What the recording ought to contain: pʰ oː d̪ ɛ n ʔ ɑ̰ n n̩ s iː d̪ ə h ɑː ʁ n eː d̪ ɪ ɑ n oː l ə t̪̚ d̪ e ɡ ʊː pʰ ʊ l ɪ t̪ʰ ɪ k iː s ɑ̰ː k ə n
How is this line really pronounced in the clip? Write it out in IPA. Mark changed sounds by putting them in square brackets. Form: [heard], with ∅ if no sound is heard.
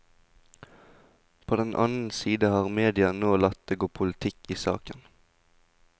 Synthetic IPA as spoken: pʰ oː d̪ ɛ n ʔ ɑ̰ n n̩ s iː d̪ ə h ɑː ʁ [m] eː d̪ ɪ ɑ n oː l [ɑ] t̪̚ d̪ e ɡ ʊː pʰ ʊ l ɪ t̪ʰ ɪ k iː s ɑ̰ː k ə n